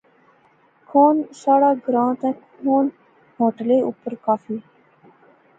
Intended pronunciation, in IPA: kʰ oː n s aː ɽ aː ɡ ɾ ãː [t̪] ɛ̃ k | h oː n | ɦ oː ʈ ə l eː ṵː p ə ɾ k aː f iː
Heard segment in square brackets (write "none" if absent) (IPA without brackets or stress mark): t̪